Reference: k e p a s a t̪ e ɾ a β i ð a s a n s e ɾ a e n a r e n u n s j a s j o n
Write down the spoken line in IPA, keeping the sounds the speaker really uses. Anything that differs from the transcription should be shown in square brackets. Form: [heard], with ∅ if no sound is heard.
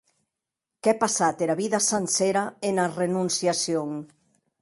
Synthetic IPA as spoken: k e p a s a t̪ e ɾ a β i ð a s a n s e ɾ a e n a r e n u n s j a s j o [ŋ]